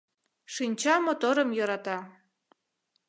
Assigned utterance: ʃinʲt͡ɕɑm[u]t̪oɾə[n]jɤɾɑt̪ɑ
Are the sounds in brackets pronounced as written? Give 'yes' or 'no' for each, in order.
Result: no, no

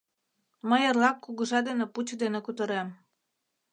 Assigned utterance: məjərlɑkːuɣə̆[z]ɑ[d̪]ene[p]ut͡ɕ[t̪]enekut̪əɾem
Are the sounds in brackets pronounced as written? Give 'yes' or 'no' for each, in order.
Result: no, yes, yes, no

